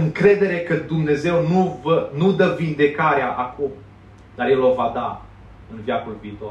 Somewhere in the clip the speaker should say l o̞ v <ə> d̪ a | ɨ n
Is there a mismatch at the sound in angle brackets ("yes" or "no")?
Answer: yes